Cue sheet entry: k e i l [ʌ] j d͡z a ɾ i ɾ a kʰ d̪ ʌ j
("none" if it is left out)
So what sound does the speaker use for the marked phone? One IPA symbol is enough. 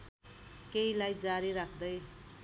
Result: a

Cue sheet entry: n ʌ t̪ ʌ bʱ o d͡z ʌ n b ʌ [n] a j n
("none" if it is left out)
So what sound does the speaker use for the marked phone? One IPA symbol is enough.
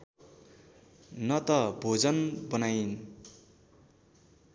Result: n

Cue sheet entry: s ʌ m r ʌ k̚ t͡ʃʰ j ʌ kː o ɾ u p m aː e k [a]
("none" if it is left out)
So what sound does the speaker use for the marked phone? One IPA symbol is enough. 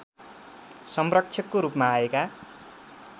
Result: a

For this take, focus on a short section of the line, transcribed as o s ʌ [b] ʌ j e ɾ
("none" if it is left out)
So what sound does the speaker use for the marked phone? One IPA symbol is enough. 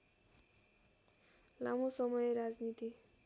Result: m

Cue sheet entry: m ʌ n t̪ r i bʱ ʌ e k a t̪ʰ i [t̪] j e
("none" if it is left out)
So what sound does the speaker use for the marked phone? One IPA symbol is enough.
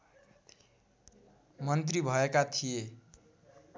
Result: none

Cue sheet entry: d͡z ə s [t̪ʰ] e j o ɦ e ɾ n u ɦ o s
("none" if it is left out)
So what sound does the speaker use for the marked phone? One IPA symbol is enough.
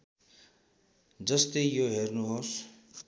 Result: t̪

